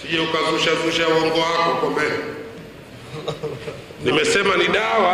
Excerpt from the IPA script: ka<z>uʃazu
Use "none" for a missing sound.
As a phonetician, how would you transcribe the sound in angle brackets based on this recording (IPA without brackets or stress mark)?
z